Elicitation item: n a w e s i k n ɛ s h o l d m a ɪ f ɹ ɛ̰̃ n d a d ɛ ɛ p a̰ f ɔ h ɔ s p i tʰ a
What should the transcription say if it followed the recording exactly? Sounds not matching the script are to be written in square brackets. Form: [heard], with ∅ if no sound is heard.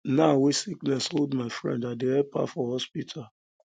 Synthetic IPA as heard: n a w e s i k n ɛ s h o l d m a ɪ f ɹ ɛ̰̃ n d a d [e] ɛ p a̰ f ɔ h ɔ s p i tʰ a